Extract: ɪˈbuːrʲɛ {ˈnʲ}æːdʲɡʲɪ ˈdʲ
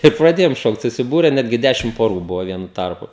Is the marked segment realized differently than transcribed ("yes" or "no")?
no